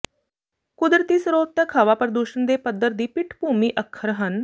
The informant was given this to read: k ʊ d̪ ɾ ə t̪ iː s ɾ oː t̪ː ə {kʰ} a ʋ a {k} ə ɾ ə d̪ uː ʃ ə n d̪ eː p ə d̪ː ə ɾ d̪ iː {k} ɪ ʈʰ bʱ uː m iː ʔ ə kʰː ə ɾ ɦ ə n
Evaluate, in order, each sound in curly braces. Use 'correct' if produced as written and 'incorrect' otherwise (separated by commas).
correct, incorrect, incorrect